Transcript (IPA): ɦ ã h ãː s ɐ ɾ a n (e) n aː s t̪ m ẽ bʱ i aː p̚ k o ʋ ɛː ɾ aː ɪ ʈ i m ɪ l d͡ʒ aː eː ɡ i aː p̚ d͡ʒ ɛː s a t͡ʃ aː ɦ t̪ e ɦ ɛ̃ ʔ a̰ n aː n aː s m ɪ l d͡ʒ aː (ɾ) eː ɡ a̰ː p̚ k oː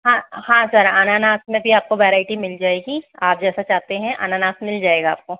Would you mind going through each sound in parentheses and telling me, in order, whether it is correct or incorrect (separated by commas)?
incorrect, incorrect